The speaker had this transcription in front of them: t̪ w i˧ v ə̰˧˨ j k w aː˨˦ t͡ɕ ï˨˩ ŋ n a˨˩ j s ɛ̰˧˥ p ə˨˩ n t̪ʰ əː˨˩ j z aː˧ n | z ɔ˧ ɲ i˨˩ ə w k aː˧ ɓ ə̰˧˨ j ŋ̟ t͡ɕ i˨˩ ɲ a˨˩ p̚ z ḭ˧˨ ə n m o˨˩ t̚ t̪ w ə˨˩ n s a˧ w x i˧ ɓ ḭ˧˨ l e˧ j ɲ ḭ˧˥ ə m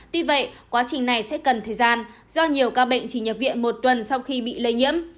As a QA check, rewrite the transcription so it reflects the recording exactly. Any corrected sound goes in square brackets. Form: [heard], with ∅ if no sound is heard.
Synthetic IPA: t̪ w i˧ v ə̰˧˨ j k w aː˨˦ t͡ɕ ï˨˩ ŋ n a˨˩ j s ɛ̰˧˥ [k] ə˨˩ n t̪ʰ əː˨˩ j z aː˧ n | z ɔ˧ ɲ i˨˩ ə w k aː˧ ɓ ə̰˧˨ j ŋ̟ t͡ɕ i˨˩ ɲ [ə˨˩] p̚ [v] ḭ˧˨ ə n m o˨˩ t̚ t̪ w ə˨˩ n s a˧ w x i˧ ɓ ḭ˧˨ l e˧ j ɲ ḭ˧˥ ə m